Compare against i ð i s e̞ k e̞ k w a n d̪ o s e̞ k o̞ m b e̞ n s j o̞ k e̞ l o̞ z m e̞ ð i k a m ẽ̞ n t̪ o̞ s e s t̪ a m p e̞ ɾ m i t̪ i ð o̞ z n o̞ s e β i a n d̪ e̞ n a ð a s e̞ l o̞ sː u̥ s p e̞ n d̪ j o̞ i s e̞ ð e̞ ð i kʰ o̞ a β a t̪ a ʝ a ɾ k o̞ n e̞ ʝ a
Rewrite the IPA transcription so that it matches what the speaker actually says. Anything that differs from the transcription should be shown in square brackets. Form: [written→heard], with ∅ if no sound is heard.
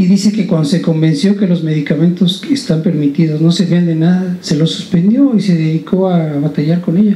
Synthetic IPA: i ð i s e̞ k e̞ k w a n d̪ o s e̞ k o̞ m b e̞ n s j o̞ k e̞ l o̞ z m e̞ ð i k a m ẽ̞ n t̪ o̞ s e s t̪ a m p e̞ ɾ m i t̪ i ð o̞ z n o̞ s e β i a n d̪ e̞ n a ð a s e̞ l o̞ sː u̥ s p e̞ n d̪ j o̞ i s e̞ ð e̞ ð i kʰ o̞ a β a t̪ a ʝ a ɾ k o̞ n e̞ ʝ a

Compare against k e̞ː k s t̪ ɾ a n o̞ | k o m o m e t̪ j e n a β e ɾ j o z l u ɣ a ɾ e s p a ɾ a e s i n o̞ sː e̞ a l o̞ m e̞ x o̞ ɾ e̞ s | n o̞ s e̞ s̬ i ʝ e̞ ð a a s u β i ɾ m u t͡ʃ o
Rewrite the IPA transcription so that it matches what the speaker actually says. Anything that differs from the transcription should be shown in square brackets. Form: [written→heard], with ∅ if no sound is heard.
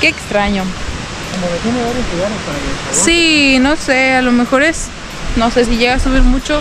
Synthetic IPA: k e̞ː k s t̪ ɾ a [n→ɲ] o̞ | k o m o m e t̪ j e n [a→e] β [e→a] ɾ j o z l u ɣ a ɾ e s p a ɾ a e s i n o̞ [sː→s] e̞ a l o̞ m e̞ x o̞ ɾ e̞ s | n o̞ s e̞ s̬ i ʝ e̞ [ð→ɣ] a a s u β i ɾ m u t͡ʃ o

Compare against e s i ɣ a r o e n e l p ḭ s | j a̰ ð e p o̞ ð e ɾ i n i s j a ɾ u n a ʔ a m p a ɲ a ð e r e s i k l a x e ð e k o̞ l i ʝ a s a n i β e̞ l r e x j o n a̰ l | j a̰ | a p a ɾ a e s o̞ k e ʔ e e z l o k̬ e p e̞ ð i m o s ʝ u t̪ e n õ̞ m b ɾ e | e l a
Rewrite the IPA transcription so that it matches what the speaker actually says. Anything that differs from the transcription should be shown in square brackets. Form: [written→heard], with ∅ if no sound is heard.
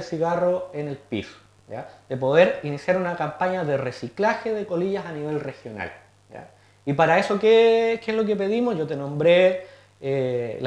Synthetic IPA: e s i ɣ a r o e n e l p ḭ s | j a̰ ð e p o̞ ð e ɾ i n i s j a ɾ u n a [ʔ→k] a m p a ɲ a ð e r e s i k l a x e ð e k o̞ l i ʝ a s a n i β e̞ l r e x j o n a̰ l | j a̰ | [a→i] p a ɾ a e s o̞ k e [ʔ→k] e e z l o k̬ e p e̞ ð i m o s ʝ [u→o] t̪ e n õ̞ m b ɾ e | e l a

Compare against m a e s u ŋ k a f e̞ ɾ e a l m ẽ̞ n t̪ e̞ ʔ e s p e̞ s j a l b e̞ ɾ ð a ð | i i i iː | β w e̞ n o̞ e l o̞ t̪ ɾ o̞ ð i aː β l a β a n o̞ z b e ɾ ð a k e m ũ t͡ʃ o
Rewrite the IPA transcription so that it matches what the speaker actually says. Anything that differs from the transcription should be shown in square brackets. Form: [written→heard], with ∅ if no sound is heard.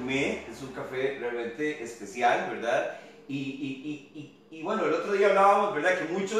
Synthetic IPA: m [a→e] e s u ŋ k a f e̞ [ɾ→r] e a l m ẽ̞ n t̪ e̞ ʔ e s p e̞ s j a l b e̞ ɾ ð a ð | i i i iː | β w e̞ n o̞ e l o̞ t̪ ɾ o̞ ð i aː β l a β a [n→m] o̞ z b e ɾ ð a k e m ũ t͡ʃ o

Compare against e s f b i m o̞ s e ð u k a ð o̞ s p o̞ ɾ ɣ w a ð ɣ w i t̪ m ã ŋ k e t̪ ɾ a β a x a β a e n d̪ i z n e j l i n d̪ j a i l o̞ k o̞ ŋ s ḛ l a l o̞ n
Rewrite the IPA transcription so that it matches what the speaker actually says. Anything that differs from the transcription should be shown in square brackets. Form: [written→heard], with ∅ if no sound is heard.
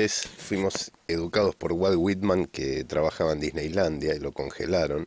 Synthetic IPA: e s f [b→w] i m o̞ s e ð u k a ð o̞ s p o̞ ɾ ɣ w a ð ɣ w i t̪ m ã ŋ k e t̪ ɾ a β a x a β a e n d̪ i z n e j l [i→a] n d̪ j a i l o̞ k o̞ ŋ [s→x] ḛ l a [l→ɾ] o̞ n

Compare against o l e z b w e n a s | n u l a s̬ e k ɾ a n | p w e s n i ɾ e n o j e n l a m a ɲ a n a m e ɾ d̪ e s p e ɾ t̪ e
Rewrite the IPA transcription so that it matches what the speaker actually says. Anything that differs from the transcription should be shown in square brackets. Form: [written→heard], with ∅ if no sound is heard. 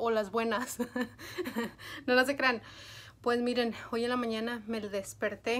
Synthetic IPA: o l [e→a] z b w e n a s | n [u→o] l a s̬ e k ɾ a n | p w e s [n→m] i ɾ e n o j e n l a m a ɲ a n a m e [ɾ→l] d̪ e s p e ɾ t̪ e

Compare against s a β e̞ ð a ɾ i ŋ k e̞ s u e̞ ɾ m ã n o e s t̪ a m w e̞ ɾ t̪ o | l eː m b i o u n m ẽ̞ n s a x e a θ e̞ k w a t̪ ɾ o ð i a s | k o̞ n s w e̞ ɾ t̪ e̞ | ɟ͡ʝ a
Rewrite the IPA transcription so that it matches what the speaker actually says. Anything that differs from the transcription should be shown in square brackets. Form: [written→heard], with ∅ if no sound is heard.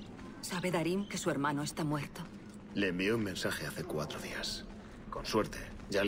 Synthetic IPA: s a β e̞ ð a ɾ i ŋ k e̞ s u e̞ ɾ m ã n o e s t̪ a m w e̞ ɾ t̪ o | l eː m b i o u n m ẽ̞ n s a x e a θ e̞ k w a t̪ ɾ o ð i a s | k o̞ n s w e̞ ɾ t̪ e̞ | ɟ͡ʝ a

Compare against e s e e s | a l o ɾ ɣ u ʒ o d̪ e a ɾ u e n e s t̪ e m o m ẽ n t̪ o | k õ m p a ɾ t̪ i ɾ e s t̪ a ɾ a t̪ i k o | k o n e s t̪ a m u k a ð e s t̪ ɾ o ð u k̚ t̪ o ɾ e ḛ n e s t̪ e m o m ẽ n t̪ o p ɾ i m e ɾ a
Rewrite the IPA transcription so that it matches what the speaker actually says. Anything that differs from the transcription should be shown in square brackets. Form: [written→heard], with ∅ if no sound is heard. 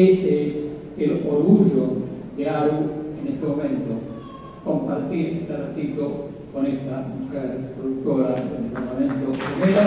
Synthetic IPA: e s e e s | [a→e] l o ɾ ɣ u ʒ o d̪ e a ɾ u e n e s t̪ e m o m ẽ n t̪ o | k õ m p a ɾ t̪ i ɾ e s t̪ a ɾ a t̪ i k o | k o n e s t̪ a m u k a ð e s t̪ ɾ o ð u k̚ t̪ o ɾ [e→a] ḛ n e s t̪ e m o m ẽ n t̪ o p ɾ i m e ɾ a

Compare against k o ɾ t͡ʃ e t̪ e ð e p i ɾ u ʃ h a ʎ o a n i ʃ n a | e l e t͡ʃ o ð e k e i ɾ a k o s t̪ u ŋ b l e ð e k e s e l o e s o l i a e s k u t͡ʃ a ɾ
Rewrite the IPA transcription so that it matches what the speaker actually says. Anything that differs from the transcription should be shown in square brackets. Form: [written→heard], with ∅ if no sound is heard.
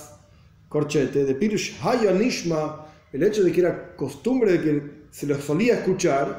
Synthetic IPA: k o ɾ t͡ʃ e t̪ e ð e p i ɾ u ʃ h a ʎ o a n i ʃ [n→m] a | e l e t͡ʃ o ð e k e [i→e] ɾ a k o s t̪ u [ŋ→m] b [l→ɾ] e ð e k e s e l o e s o l i a e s k u t͡ʃ a ɾ

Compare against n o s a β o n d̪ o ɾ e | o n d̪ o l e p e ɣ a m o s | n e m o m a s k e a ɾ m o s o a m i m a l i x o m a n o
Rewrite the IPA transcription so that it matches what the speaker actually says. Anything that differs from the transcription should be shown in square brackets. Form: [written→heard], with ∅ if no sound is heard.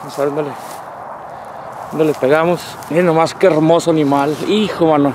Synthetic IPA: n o s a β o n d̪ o [ɾ→l] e | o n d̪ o l e p e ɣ a m o s | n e [m→n] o m a s k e [a→e] ɾ m o s o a [m→n] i m a l i x o m a n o

